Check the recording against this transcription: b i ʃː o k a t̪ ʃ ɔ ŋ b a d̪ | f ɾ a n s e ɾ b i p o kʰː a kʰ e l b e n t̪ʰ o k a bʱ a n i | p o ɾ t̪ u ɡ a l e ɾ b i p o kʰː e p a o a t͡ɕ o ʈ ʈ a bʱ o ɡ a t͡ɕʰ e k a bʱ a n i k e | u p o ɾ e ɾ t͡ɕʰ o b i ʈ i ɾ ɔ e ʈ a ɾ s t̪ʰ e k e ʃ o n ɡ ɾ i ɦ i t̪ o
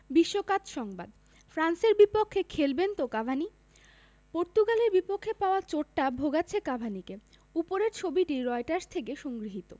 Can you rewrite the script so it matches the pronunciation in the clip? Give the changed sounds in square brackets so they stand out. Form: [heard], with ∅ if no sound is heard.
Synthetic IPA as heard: b i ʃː o k a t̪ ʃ ɔ ŋ b a d̪ | f ɾ a n s e ɾ b i p o kʰː [e] kʰ e l b e n [t̪] o k a bʱ a n i | p o ɾ t̪ u ɡ a l e ɾ b i p o kʰː e p a o a t͡ɕ o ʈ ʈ a bʱ o ɡ a t͡ɕʰ e k a bʱ a n i k e | u p o ɾ e ɾ t͡ɕʰ o b i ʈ i ɾ ɔ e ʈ a ɾ s t̪ʰ e k e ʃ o [ŋ] ɡ ɾ i ɦ i t̪ o